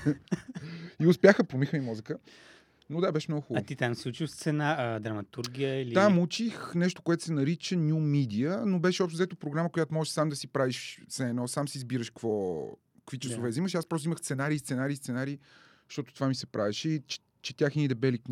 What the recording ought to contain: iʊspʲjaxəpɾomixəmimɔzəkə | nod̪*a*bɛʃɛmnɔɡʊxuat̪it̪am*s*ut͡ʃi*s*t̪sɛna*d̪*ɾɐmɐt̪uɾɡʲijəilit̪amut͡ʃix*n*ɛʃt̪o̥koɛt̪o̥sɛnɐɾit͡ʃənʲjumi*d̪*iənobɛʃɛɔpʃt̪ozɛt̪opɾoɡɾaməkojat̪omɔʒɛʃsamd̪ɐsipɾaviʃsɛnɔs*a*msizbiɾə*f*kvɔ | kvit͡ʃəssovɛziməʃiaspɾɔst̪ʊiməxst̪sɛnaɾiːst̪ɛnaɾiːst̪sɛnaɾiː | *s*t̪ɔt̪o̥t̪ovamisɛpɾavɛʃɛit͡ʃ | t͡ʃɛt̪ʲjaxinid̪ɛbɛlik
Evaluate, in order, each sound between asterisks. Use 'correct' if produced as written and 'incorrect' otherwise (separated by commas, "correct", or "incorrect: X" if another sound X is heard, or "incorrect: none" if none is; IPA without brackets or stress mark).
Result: correct, correct, correct, correct, correct, correct, correct, incorrect: ʃ, incorrect: ʃ